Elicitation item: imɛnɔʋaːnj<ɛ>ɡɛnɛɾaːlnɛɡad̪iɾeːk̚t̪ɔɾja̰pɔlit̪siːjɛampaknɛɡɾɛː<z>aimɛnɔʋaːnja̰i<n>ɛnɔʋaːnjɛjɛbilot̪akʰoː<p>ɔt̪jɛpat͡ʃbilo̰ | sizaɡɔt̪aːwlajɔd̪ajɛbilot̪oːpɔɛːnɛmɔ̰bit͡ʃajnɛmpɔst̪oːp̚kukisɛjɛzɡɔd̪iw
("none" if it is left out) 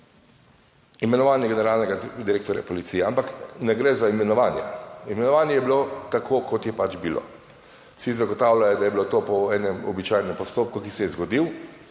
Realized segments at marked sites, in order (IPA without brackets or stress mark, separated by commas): ɛ, z, m, k